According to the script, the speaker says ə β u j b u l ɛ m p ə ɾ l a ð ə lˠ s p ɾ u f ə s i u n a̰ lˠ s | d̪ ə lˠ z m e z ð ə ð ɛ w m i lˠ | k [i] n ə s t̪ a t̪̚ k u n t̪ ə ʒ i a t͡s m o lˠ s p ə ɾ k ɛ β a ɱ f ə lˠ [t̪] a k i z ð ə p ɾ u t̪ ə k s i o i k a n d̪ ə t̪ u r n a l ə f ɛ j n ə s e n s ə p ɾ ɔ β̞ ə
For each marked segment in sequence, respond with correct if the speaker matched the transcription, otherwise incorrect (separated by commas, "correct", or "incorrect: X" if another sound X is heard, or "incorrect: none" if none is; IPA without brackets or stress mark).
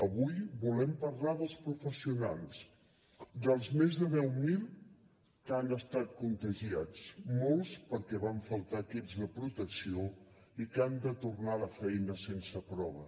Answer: incorrect: a, correct